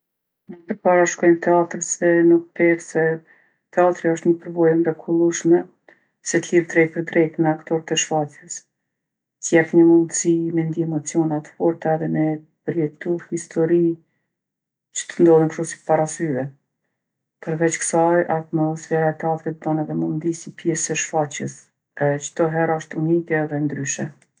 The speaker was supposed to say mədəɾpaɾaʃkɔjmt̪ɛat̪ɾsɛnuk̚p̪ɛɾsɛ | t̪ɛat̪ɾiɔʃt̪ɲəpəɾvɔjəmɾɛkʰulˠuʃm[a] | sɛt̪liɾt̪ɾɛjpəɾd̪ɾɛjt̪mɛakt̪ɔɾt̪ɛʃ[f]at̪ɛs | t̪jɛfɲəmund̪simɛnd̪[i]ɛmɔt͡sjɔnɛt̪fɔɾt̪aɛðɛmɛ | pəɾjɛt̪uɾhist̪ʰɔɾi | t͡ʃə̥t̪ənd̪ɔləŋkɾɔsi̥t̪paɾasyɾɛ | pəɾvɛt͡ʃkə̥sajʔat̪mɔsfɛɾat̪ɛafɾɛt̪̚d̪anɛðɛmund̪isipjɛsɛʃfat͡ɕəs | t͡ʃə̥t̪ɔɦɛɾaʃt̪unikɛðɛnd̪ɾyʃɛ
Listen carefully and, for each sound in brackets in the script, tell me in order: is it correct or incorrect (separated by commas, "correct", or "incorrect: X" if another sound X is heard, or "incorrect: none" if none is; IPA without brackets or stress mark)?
incorrect: ɛ, correct, correct